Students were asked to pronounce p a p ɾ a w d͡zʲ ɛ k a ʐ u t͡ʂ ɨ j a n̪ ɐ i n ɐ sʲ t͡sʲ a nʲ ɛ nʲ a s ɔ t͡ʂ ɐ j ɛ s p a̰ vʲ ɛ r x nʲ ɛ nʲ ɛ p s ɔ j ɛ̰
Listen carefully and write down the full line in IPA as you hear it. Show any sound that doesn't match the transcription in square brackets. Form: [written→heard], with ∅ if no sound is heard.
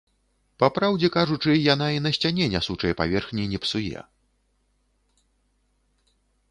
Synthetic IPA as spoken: p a p ɾ a w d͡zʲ ɛ k a ʐ u t͡ʂ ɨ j a n̪ [ɐ→a] i n ɐ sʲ t͡sʲ a nʲ ɛ nʲ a s [ɔ→u] t͡ʂ ɐ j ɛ [s→∅] p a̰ vʲ ɛ r x nʲ [ɛ→i] nʲ ɛ p s [ɔ→u] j ɛ̰